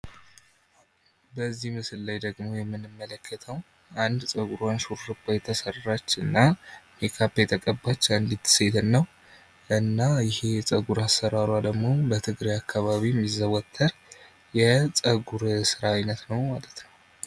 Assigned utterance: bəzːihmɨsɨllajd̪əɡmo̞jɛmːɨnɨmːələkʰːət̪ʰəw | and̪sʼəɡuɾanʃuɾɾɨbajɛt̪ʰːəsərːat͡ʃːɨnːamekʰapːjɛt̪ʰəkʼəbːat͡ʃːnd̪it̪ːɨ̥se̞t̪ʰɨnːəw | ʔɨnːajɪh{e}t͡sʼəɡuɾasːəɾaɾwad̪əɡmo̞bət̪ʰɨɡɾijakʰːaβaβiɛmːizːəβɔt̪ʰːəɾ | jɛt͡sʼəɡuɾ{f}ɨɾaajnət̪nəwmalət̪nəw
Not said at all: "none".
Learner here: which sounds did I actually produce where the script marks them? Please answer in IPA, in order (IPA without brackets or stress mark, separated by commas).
e, s